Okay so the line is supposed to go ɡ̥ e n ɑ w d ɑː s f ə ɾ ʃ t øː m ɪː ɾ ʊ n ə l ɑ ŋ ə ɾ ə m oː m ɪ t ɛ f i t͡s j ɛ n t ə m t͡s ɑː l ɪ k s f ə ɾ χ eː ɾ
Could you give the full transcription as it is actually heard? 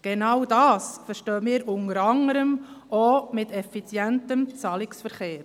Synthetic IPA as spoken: ɡ̥ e n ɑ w d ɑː s f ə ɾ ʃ t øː m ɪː ɾ ʊ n ə ɾ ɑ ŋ ə ɾ ə m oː m ɪ t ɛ f i t͡s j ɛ n t ə m t͡s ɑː l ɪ k s f ə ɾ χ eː ɾ